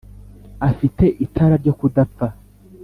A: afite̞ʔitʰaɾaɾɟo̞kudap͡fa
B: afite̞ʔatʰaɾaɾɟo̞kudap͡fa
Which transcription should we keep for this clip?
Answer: A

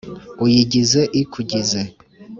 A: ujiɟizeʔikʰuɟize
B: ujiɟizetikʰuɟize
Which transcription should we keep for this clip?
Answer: A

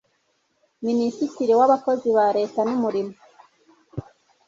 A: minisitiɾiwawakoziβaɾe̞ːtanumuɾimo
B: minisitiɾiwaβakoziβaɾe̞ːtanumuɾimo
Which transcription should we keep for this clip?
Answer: B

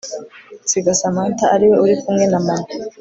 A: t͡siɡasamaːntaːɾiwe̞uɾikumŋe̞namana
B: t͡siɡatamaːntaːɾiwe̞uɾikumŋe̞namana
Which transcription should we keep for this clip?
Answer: A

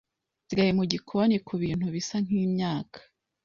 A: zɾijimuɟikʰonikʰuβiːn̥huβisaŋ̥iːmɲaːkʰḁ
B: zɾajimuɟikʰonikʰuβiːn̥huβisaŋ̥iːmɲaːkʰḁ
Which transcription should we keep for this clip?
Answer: B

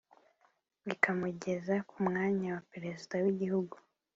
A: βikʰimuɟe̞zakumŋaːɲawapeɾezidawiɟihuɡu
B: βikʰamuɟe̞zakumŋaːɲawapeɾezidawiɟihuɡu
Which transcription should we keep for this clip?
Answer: B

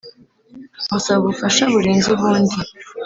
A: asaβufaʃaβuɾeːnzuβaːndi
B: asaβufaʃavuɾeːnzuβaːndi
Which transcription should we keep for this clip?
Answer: A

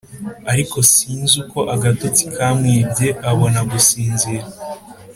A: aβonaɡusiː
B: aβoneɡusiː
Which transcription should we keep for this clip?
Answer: A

